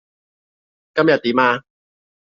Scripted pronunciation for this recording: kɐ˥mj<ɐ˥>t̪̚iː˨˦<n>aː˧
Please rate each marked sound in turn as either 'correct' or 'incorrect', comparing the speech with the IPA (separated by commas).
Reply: incorrect, incorrect